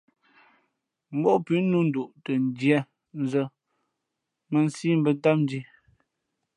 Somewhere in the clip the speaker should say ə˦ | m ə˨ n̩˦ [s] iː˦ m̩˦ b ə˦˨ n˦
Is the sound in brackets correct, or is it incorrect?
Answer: correct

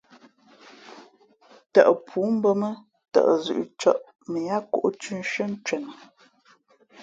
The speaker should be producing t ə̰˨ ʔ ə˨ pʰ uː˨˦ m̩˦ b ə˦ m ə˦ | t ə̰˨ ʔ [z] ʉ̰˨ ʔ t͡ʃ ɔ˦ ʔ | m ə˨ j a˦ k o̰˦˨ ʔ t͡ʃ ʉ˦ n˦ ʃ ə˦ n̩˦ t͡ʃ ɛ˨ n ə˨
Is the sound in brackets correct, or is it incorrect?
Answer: correct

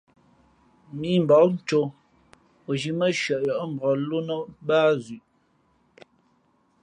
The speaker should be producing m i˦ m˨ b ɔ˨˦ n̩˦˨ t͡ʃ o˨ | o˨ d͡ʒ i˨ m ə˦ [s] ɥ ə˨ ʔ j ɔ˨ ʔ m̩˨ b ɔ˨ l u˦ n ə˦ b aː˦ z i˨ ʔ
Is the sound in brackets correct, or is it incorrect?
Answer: incorrect: ʃ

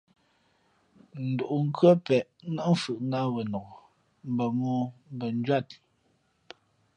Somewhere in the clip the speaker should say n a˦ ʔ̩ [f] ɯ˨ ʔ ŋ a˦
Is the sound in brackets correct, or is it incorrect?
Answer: correct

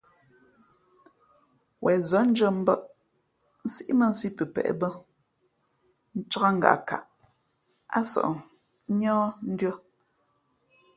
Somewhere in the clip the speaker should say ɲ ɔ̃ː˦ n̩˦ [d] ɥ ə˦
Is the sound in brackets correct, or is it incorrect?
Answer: correct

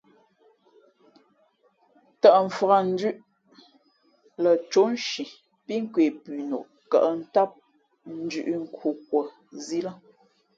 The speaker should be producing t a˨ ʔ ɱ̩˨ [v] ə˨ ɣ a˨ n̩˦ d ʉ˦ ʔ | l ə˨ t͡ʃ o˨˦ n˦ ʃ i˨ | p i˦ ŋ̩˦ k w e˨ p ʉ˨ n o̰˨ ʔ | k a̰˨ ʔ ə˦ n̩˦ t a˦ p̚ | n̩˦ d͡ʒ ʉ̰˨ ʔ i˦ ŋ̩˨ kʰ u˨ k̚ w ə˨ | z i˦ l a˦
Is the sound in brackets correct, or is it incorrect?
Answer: incorrect: f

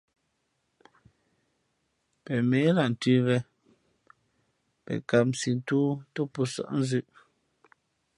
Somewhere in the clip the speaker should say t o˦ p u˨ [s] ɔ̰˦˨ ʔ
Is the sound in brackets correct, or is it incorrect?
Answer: correct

